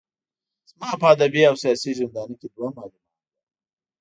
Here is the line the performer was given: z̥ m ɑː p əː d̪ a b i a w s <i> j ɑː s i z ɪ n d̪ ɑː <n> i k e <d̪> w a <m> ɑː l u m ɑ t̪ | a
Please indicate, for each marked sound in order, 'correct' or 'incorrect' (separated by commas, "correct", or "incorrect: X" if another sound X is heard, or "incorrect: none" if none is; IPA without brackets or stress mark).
correct, correct, correct, correct